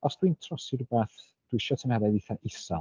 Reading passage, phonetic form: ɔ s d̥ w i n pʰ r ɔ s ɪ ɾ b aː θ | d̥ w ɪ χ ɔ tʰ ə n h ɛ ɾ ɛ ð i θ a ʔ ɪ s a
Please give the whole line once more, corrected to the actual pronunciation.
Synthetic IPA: ɔ s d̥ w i n tʰ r ɔ s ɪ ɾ b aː θ | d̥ w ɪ ʃ ɔ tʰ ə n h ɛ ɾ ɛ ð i θ a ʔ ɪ s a